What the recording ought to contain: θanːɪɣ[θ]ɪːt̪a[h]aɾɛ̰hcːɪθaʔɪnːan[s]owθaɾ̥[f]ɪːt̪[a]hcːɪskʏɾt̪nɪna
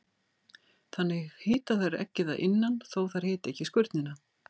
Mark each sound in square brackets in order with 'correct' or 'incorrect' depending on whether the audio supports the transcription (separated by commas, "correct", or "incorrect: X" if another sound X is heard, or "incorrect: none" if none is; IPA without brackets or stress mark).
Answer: incorrect: h, incorrect: θ, incorrect: θ, incorrect: h, incorrect: ɛ